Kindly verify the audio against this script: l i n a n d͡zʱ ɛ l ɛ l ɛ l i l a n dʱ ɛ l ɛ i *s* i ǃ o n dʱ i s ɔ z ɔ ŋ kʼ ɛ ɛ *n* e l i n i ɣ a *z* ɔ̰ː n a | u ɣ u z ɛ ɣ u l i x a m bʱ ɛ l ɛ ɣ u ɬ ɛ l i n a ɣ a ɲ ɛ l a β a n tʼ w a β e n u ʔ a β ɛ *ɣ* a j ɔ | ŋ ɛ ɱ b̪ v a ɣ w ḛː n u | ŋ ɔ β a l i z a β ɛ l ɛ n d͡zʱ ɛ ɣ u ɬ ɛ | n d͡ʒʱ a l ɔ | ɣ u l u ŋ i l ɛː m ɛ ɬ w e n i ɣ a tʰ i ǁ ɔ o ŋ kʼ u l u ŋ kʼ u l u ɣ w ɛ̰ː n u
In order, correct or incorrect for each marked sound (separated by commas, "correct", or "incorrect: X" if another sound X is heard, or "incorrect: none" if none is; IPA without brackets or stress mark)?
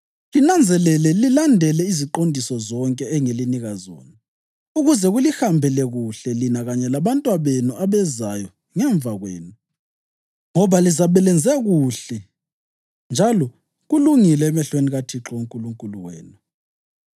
incorrect: z, incorrect: ŋ, correct, incorrect: z